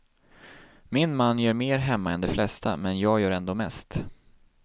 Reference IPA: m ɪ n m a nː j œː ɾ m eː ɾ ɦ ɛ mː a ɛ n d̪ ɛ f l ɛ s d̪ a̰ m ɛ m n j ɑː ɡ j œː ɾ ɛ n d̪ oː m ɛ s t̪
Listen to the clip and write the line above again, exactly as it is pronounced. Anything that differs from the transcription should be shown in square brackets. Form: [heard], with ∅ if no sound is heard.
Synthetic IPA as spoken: m ɪ n m a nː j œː ɾ m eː ɾ ɦ ɛ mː a ɛ n d̪ ɛ f l ɛ s [t̪] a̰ m ɛ [∅] n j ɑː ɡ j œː ɾ ɛ n d̪ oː m ɛ s t̪